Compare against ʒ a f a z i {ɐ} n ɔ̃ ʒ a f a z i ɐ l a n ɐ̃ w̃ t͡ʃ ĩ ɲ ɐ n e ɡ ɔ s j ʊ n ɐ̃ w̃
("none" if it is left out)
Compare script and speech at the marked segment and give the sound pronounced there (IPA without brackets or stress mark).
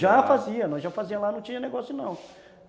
ɐ